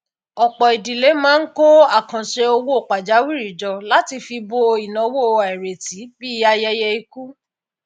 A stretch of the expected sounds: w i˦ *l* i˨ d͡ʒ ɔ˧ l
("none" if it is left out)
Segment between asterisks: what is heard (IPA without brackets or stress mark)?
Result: ɾ